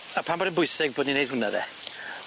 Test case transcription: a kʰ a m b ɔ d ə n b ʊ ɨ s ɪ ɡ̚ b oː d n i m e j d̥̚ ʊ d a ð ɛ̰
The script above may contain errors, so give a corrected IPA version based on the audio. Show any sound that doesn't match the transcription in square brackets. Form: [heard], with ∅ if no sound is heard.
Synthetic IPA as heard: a [pʰ] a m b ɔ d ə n b ʊ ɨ s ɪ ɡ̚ b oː d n i [n] e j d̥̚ ʊ [n] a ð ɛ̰